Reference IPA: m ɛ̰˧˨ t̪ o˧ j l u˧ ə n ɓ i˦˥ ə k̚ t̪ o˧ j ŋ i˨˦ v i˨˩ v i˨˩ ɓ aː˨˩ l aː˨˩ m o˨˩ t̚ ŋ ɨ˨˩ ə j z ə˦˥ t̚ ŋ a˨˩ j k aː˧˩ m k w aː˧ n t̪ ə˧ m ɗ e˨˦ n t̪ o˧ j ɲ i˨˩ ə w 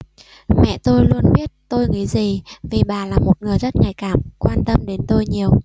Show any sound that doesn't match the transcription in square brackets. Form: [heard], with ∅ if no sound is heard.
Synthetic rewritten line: m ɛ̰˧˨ t̪ o˧ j l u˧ ə n ɓ i˦˥ ə [t̚] t̪ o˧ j ŋ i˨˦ [z] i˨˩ v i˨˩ ɓ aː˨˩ l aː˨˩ m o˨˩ t̚ ŋ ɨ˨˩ ə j z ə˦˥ t̚ ŋ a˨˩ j k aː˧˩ m k w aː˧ n t̪ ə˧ m ɗ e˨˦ n t̪ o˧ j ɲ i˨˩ ə w